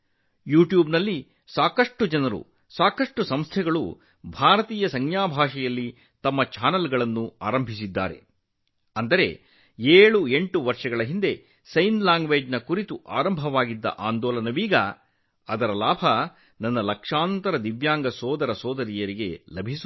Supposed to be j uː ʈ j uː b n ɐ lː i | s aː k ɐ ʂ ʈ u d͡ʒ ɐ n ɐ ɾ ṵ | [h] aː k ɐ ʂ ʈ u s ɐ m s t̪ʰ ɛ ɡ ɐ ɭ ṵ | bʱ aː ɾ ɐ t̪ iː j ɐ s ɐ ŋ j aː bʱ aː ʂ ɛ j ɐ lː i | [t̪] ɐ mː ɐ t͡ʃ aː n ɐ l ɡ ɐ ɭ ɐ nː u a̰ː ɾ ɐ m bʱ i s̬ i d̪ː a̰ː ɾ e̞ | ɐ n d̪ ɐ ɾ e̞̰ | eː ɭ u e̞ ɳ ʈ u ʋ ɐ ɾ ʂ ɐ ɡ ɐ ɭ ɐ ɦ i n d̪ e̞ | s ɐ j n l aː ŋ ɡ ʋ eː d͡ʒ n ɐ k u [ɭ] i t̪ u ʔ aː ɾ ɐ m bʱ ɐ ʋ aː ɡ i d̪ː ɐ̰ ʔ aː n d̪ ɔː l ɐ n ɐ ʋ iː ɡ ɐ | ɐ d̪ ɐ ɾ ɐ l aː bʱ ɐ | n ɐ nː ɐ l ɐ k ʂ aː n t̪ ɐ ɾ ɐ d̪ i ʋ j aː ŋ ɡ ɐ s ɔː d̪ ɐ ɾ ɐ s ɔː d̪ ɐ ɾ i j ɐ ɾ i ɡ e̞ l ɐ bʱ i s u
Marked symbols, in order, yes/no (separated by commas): no, yes, no